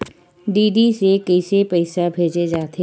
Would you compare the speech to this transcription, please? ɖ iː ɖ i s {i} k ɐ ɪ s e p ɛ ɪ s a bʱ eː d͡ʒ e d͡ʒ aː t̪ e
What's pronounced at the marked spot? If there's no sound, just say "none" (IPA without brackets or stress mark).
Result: e